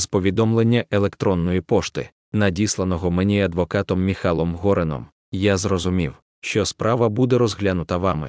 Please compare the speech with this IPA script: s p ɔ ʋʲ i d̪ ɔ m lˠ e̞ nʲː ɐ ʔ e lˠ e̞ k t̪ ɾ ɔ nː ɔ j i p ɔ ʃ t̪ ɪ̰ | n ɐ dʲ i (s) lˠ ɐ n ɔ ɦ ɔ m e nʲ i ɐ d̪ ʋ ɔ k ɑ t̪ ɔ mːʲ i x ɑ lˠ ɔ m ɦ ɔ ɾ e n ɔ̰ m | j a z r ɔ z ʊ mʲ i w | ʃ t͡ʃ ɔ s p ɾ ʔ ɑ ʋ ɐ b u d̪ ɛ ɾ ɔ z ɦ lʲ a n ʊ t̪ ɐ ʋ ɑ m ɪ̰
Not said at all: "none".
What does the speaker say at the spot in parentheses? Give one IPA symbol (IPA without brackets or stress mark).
s